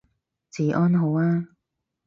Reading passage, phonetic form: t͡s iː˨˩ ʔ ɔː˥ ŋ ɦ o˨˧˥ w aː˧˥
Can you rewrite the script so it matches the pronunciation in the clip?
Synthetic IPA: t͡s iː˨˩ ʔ ɔː˥ n ɦ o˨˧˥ w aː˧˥